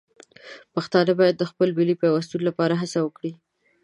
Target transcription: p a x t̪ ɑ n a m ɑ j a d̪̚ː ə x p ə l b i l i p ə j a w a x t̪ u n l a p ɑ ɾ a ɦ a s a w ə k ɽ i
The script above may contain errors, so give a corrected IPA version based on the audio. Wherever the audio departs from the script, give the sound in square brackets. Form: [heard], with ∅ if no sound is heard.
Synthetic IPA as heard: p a x t̪ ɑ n a [b] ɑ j a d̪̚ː ə x p ə l b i l i p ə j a w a [s] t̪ u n l a p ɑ ɾ a ɦ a s a w ə k ɽ i